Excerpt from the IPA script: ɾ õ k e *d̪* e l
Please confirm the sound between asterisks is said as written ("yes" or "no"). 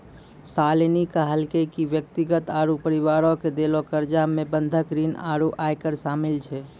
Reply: yes